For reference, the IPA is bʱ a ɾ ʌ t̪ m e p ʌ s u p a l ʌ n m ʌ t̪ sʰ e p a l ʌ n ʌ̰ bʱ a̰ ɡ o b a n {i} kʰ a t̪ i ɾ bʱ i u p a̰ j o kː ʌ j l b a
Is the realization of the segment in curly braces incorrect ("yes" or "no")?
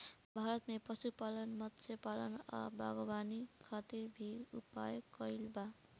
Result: no